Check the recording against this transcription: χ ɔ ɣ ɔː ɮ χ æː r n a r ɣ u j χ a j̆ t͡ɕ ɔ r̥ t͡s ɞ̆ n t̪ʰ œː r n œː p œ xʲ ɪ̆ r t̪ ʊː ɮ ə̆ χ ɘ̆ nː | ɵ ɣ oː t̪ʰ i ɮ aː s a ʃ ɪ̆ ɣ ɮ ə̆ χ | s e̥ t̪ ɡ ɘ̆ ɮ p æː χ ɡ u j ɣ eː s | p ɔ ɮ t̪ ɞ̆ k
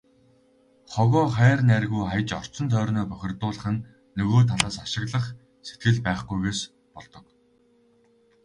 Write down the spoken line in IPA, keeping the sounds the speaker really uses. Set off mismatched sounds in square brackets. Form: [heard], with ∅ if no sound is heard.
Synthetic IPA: χ ɔ ɣ ɔː [∅] χ æː r n [æ] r ɣ u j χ a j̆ t͡ɕ ɔ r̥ t͡s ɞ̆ n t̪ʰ œː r n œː p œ xʲ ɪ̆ r t̪ ʊː ɮ ə̆ χ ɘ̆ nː | ɵ ɣ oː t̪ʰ [a] ɮ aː s a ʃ ɪ̆ ɣ ɮ ə̆ χ | s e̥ t̪ ɡ ɘ̆ ɮ p æː χ ɡ u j ɣ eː s | p ɔ ɮ t̪ ɞ̆ k